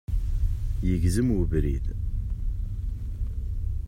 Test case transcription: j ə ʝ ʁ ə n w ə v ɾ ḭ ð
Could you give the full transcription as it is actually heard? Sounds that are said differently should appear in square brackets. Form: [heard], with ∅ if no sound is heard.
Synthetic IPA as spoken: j ə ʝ [z] ə [m] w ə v ɾ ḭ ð